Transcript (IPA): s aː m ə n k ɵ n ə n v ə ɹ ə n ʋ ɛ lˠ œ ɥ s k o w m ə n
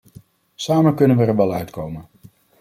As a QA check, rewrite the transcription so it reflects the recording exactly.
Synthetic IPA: s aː m ə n k ɵ n ə n ʋ ə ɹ ə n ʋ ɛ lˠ œ ɥ t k o w m ə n